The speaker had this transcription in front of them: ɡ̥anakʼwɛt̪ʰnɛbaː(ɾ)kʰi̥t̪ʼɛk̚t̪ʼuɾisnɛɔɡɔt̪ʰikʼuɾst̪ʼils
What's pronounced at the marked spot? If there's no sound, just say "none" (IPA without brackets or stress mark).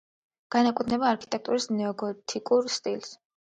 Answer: ɾ